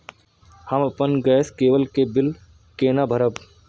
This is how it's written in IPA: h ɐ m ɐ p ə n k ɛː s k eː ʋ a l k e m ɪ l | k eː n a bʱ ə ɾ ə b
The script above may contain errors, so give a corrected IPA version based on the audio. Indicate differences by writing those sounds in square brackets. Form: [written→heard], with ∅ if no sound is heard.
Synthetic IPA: h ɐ m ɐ p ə n [k→ɡ] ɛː s k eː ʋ [a→ə] l k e [m→b] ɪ l | k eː n a bʱ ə ɾ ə b